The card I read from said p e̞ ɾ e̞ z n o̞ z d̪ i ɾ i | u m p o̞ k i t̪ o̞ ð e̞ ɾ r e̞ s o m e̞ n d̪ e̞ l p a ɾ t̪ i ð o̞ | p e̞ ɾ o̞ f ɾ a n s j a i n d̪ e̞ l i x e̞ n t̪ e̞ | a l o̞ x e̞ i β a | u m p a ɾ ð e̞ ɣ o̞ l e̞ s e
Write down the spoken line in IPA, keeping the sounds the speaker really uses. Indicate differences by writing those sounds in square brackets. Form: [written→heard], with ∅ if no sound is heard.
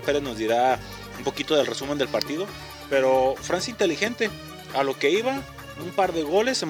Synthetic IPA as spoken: p e̞ ɾ e̞ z n o̞ z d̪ i ɾ [i→a] | u m p o̞ k i t̪ o̞ ð e̞ [ɾ→l] r e̞ s [o→u] m e̞ n d̪ e̞ l p a ɾ t̪ i ð o̞ | p e̞ ɾ o̞ f ɾ a n s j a i n [d̪→t̪] e̞ l i x e̞ n t̪ e̞ | a l o̞ [x→k] e̞ i β a | u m p a ɾ ð e̞ ɣ o̞ l e̞ s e